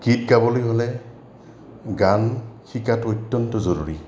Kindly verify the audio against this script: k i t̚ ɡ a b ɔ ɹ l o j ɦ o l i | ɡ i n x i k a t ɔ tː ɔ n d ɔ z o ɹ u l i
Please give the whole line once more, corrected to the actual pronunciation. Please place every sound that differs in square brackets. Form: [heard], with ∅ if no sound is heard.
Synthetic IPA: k i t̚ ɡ a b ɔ [∅] l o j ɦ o l [ɛ] | ɡ [a] n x i k a t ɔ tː ɔ n [t] ɔ z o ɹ u [ɹ] i